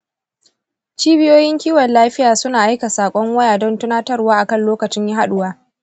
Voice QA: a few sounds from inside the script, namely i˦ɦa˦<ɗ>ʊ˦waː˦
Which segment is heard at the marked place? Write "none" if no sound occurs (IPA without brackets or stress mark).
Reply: ɗ